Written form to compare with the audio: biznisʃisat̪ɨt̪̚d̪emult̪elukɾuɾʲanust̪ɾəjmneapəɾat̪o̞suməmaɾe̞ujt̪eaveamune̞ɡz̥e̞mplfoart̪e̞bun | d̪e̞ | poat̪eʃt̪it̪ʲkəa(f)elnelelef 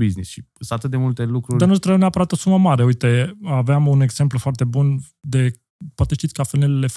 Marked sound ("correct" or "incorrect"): correct